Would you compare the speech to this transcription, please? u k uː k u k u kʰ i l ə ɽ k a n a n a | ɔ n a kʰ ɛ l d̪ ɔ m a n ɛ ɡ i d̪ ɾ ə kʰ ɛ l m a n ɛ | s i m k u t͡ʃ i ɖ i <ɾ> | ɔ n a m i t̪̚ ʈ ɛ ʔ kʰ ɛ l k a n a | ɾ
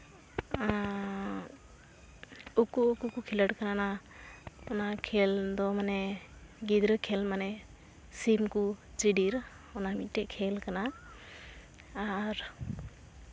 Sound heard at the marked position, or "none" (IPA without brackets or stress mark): ɾ